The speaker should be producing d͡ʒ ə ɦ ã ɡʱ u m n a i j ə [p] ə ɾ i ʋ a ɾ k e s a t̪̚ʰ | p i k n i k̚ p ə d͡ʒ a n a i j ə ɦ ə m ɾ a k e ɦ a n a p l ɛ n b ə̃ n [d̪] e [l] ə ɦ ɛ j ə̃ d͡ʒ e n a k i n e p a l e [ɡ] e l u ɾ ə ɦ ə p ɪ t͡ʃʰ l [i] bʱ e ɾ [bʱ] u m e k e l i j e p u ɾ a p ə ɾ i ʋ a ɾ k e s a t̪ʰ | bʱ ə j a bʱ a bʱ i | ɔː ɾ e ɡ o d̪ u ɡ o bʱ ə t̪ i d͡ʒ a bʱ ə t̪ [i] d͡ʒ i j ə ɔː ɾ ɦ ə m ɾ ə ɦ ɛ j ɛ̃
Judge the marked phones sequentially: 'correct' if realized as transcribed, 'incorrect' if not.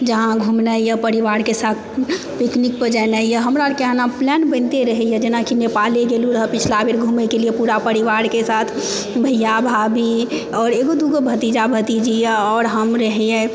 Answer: correct, incorrect: t̪, incorrect: ɾ, correct, incorrect: a, incorrect: ɡʱ, correct

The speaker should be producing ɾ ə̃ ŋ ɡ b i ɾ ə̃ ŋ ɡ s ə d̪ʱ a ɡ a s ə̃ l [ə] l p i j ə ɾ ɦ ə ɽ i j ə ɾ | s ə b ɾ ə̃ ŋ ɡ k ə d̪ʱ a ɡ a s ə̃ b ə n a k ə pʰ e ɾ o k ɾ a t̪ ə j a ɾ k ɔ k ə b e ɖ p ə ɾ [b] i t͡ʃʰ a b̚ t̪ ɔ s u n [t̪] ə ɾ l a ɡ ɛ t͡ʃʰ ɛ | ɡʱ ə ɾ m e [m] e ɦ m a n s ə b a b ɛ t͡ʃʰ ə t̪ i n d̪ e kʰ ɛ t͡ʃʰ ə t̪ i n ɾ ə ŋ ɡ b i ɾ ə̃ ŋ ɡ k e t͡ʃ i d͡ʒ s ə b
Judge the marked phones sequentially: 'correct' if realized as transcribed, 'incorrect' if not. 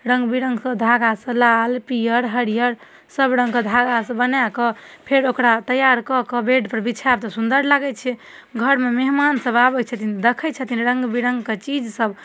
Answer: incorrect: a, correct, incorrect: d̪, correct

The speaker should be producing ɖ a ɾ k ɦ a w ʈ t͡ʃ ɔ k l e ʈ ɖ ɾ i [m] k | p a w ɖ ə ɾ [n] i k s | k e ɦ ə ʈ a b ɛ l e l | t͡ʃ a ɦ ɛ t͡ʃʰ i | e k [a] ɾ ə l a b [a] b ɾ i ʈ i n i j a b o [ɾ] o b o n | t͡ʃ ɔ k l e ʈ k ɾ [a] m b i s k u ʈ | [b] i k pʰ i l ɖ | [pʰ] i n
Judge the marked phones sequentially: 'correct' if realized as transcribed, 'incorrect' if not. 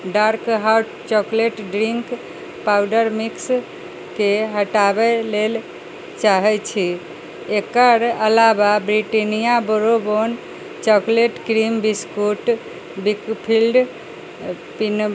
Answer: incorrect: ŋ, incorrect: m, incorrect: ə, correct, correct, incorrect: i, correct, incorrect: p

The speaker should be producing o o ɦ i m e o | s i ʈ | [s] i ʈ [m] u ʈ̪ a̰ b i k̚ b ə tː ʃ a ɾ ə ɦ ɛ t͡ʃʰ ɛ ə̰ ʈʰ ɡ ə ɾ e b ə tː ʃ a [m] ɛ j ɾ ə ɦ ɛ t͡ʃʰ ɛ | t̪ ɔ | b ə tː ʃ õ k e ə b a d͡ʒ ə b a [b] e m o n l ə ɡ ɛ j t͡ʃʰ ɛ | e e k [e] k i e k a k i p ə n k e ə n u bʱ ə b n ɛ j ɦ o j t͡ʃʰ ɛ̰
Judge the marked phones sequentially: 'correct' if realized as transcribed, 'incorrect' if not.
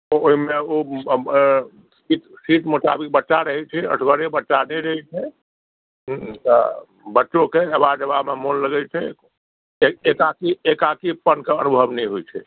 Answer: correct, correct, incorrect: n, incorrect: m, incorrect: a

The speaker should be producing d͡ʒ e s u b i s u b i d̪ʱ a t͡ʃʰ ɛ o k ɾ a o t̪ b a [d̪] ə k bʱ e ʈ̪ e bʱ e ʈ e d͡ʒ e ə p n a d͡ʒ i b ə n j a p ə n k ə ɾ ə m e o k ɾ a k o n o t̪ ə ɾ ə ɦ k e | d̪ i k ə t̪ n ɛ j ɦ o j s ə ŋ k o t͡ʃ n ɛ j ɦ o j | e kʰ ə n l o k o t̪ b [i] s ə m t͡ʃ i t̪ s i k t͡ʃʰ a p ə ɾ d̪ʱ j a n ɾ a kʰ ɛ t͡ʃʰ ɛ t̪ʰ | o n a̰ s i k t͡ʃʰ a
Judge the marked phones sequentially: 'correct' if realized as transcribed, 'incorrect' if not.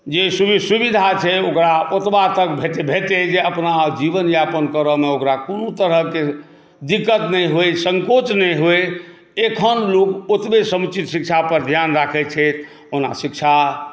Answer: incorrect: t̪, incorrect: e

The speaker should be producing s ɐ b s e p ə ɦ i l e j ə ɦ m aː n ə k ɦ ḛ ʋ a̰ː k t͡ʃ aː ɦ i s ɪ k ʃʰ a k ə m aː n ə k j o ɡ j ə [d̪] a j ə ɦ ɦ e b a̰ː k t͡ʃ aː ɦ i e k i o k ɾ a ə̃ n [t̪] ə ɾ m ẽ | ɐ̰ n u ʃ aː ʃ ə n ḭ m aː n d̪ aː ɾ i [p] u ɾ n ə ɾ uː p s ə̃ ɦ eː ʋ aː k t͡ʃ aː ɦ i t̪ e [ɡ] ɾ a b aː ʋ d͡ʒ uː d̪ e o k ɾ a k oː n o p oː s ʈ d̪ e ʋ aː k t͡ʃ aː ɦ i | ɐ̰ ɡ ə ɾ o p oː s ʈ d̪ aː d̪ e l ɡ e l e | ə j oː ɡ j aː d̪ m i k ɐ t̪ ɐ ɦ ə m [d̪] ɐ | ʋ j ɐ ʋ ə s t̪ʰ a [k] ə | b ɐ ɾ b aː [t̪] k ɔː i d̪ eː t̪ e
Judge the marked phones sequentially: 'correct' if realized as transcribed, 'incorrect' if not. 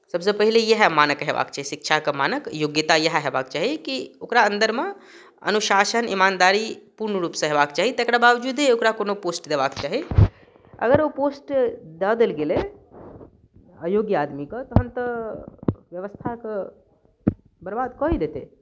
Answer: incorrect: t̪, incorrect: d̪, correct, incorrect: k, incorrect: t̪, correct, incorrect: d̪

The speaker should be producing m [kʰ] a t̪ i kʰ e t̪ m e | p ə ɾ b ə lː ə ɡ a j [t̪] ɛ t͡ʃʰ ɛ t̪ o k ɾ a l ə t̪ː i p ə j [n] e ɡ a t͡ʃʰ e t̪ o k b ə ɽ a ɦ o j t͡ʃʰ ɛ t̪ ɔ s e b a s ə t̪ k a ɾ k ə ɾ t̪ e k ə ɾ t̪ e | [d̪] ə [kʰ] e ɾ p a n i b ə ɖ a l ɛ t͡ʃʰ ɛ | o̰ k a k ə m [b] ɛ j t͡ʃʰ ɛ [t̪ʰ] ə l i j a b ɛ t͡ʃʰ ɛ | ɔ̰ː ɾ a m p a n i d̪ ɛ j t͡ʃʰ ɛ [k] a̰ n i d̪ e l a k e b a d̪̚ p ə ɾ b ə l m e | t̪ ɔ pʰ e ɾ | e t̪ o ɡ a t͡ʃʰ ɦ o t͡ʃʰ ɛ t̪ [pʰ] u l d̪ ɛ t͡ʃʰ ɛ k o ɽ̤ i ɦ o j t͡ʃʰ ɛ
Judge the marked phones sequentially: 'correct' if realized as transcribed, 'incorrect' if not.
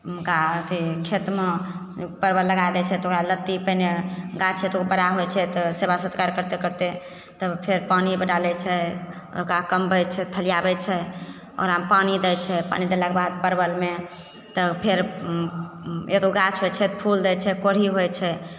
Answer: incorrect: k, incorrect: d̪, correct, incorrect: t̪, incorrect: pʰ, correct, correct, incorrect: p, correct

